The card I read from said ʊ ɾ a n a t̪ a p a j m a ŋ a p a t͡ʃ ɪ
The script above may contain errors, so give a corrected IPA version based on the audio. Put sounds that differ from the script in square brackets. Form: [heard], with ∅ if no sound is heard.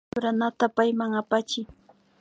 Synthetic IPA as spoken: ʊ ɾ a n a t̪ a p a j m a ŋ a p a t͡ʃ ɪ